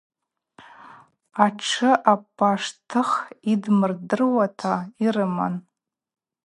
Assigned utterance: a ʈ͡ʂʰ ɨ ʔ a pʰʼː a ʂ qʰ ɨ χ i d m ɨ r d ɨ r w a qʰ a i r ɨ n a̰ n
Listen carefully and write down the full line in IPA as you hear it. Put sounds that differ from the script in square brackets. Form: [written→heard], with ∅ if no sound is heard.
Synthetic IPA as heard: a ʈ͡ʂʰ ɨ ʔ a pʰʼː a ʂ [qʰ→tʰ] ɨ χ i d m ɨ r d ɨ r w a [qʰ→tʰ] a i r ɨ [n→m] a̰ n